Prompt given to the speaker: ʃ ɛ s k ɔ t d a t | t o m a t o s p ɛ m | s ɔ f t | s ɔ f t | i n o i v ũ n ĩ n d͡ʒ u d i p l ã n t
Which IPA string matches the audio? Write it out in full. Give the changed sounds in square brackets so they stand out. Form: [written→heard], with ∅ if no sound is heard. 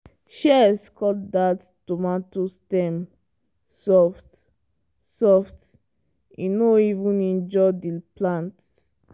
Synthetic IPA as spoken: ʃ ɛ s k ɔ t d a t | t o m a t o s [p→t] ɛ m | s ɔ f t | s ɔ f t | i n o i v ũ n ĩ n d͡ʒ [u→ɔ] d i p l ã n t